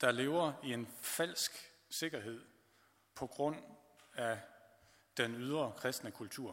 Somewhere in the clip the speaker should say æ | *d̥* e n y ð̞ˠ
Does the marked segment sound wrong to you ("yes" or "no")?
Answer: no